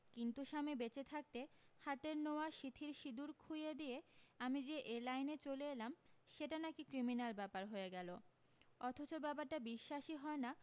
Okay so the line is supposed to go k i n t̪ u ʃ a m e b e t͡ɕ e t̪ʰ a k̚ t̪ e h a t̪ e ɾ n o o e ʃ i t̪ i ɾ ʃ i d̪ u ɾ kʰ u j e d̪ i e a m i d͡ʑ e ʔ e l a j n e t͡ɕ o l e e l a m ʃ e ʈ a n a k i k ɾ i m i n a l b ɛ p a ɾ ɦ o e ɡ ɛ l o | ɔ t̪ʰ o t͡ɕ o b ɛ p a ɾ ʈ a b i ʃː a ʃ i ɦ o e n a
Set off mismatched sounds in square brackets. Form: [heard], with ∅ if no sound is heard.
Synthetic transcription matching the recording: k i n t̪ u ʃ a m e b e t͡ɕ e t̪ʰ a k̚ t̪ e h a t̪ e ɾ n o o [a] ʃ i [t̪ʰ] i ɾ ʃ i d̪ u ɾ kʰ u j e d̪ i e a m i d͡ʑ e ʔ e l a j n e t͡ɕ o l e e l a m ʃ e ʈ a n a k i k ɾ i m i n a l b ɛ p a ɾ ɦ o e ɡ ɛ l o | ɔ t̪ʰ o t͡ɕ o b ɛ p a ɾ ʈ a b i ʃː a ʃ i ɦ [ɔ] e n a

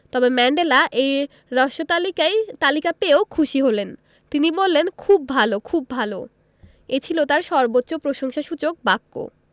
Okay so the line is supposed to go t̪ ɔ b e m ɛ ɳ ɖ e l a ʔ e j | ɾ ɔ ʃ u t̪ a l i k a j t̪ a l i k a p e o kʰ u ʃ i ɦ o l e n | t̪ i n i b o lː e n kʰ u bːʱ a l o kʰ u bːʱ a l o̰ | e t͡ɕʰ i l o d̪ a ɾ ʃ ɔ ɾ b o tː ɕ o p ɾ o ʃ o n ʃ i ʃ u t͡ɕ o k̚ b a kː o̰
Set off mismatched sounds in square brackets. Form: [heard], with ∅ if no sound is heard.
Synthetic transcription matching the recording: t̪ ɔ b e m ɛ ɳ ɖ e l a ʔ e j | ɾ ɔ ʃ [o] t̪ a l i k a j t̪ a l i k a p e o kʰ u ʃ i ɦ o l e n | t̪ i n i b o lː e n kʰ u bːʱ a l o kʰ u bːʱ a l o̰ | e t͡ɕʰ i l o [t̪] a ɾ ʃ ɔ ɾ b o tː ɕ o p ɾ o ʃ o [ŋ] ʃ [a] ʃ u t͡ɕ o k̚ b a kː o̰

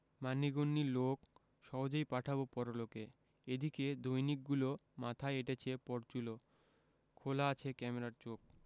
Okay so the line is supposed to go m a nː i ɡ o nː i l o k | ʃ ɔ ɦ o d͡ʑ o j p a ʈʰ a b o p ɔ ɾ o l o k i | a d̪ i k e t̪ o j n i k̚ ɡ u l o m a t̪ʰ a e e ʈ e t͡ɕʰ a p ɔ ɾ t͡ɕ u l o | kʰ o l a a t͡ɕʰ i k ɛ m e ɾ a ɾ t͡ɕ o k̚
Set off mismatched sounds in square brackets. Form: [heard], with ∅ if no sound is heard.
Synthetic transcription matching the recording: m a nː i ɡ o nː i l o k | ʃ ɔ ɦ o d͡ʑ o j p a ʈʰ a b o p ɔ ɾ o l o k [e] | [e] d̪ i k e [d̪] o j n i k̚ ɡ u l o m a t̪ʰ a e e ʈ e t͡ɕʰ [e] p ɔ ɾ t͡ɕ u l o | kʰ o l a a t͡ɕʰ [e] k ɛ m e ɾ a ɾ t͡ɕ o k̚

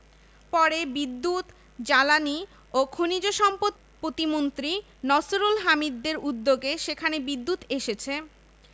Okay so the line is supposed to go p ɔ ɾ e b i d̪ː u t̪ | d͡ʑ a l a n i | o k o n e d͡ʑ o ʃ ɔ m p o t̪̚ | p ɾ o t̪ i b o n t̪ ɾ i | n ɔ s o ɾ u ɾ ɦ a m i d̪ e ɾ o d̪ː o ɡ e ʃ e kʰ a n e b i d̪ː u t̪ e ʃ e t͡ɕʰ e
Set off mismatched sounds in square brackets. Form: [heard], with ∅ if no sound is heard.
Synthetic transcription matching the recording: p ɔ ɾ e b i d̪ː u t̪ | d͡ʑ a l a n i | o [kʰ] o n [i] d͡ʑ o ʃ ɔ m p o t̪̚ | p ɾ o t̪ i [m] o n t̪ ɾ i | n ɔ s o ɾ u [l] ɦ a m i [d̪ː] e ɾ [u] d̪ː o ɡ e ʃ e kʰ a n e b i d̪ː u t̪ e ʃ e t͡ɕʰ e

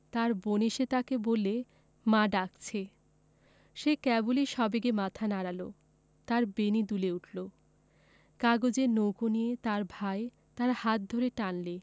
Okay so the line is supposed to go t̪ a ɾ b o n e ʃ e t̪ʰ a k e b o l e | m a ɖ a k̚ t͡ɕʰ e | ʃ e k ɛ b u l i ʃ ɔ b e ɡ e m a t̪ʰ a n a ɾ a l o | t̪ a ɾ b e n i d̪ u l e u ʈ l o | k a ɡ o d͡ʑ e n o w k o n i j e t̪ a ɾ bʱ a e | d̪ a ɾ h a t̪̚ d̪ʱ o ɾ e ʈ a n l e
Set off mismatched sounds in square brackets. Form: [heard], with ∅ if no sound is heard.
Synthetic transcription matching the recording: t̪ a ɾ b o n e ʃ e [t̪] a k e b o l e | m a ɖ a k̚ t͡ɕʰ e | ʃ e k ɛ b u l i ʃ ɔ b e ɡ e m a t̪ʰ a n a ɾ a l o | t̪ a ɾ b e n i d̪ u l e u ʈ l o | k a ɡ o d͡ʑ e n o w k o n i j e t̪ a ɾ bʱ a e | [t̪] a ɾ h a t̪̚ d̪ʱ o ɾ e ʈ a n l e

